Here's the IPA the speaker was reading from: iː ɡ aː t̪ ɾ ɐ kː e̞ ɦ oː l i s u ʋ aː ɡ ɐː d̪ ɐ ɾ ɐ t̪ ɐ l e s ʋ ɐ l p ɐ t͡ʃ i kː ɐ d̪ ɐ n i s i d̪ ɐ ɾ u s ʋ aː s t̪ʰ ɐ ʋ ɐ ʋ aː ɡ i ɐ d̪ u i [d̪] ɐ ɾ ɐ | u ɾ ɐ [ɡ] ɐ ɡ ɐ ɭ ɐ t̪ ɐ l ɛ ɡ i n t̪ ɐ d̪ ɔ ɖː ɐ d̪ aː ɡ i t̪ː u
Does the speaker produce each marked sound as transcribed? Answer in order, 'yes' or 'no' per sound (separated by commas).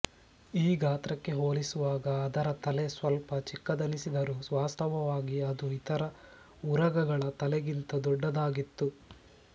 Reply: no, yes